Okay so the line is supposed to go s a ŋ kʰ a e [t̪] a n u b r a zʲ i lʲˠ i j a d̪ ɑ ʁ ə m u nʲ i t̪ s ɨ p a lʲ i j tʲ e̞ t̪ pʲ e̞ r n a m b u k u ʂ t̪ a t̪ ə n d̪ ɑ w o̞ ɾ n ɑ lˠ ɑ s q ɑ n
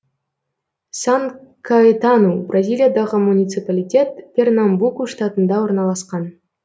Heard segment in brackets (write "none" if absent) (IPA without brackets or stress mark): t̪